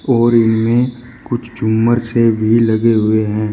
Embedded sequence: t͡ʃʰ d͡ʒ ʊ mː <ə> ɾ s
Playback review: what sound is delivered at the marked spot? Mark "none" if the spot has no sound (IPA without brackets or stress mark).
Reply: ə